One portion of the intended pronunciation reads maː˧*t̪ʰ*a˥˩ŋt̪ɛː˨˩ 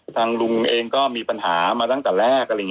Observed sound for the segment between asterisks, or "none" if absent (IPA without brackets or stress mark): t̪